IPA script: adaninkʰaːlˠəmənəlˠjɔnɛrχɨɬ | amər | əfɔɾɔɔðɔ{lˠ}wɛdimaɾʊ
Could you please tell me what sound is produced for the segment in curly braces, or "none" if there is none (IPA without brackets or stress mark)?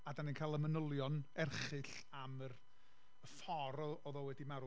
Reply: none